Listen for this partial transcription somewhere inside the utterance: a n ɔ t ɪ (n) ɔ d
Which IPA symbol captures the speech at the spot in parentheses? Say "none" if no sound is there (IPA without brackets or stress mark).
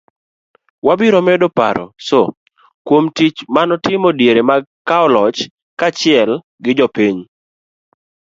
m